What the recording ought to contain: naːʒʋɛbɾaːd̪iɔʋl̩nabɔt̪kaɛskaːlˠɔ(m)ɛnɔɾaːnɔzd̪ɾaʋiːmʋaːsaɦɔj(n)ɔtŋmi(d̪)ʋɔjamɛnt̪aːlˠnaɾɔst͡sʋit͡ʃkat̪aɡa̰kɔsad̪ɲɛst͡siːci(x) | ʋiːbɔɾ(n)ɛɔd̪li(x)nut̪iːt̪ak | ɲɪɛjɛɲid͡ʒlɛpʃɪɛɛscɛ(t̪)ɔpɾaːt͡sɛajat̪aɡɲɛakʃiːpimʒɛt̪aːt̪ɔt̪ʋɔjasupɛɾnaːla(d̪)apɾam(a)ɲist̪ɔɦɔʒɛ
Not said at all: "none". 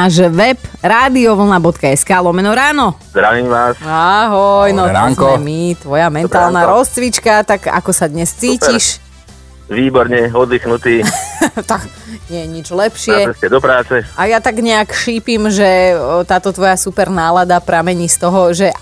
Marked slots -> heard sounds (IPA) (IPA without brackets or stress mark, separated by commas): m, n, t̪, ʃ, ɲ, x, d̪, d̪, ɛ